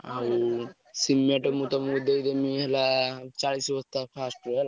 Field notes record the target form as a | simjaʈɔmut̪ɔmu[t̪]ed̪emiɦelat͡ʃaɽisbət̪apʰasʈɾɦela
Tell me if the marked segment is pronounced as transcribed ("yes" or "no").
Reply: no